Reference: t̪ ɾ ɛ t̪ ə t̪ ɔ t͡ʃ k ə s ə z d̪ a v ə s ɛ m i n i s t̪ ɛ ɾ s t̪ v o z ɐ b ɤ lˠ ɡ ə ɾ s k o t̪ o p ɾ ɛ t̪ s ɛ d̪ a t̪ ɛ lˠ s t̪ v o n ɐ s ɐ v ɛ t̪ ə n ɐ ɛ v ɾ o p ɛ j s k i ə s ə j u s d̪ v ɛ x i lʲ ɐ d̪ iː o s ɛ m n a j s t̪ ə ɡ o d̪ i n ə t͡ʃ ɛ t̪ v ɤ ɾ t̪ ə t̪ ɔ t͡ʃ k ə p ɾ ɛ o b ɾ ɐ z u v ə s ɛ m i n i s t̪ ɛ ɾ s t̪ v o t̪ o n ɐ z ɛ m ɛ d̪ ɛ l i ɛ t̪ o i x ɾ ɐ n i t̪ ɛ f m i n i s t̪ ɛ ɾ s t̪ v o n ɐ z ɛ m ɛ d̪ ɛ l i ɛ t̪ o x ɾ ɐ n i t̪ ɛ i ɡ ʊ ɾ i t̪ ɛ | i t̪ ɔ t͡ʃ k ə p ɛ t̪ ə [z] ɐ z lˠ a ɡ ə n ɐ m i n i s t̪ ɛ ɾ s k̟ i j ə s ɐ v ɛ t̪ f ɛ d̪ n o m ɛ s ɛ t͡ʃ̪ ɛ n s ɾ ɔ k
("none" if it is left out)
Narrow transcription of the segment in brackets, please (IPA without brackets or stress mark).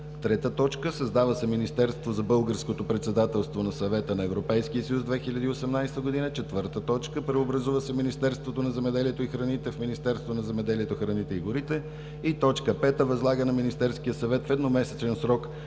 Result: v